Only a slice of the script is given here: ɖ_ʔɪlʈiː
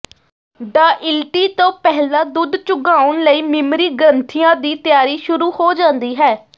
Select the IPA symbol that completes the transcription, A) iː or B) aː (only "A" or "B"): B